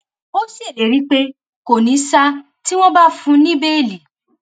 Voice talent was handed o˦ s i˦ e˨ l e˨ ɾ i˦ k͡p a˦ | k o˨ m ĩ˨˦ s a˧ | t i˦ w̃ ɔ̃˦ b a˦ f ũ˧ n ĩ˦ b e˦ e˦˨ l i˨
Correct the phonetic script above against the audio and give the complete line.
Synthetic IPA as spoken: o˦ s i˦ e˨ l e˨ ɾ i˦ k͡p e˦ | k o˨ n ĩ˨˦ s a˧ | t i˦ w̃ ɔ̃˦ b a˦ f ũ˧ n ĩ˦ b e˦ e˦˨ l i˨